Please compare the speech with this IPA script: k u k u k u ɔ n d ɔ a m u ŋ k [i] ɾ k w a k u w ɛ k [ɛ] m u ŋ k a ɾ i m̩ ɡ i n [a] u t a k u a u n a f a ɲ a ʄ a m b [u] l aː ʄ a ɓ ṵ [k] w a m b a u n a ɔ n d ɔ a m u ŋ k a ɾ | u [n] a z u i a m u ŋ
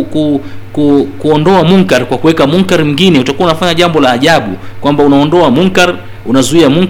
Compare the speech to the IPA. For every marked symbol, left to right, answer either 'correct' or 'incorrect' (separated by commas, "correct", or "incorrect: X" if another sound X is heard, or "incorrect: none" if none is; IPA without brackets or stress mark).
incorrect: a, incorrect: a, incorrect: ɛ, incorrect: ɔ, correct, correct